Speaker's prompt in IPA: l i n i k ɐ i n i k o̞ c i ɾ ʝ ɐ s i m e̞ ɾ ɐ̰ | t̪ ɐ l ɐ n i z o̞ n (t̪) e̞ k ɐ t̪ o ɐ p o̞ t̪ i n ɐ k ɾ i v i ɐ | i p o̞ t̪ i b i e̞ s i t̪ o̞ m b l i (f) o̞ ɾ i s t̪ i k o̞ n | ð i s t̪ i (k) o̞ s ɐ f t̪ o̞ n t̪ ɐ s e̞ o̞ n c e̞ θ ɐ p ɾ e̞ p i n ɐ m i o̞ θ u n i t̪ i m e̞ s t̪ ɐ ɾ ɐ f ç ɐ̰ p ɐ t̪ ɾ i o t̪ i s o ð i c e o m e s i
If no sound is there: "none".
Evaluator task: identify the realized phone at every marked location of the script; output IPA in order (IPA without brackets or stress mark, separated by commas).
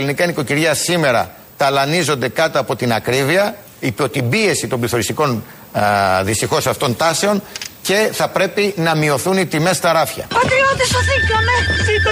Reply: d̪, θ, x